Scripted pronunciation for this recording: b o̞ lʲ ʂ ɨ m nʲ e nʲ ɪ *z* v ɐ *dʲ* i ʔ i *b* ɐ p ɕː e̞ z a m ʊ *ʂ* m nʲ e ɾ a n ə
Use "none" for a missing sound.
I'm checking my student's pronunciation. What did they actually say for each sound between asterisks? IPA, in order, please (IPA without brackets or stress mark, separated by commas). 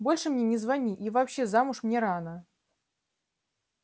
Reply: z, nʲ, v, ʂ